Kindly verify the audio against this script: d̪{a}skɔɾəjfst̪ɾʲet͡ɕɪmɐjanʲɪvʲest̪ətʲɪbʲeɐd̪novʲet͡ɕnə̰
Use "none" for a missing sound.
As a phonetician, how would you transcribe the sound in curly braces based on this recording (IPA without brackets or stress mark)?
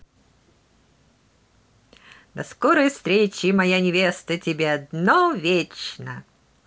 ɐ